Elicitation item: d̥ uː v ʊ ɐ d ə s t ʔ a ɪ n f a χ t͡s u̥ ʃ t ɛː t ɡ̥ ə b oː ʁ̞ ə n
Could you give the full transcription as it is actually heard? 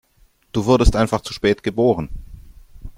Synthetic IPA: d̥ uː v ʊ ɐ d ə s t ʔ a ɪ n f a χ t͡s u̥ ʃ p ɛː t ɡ̥ ə b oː ʁ̞ ə n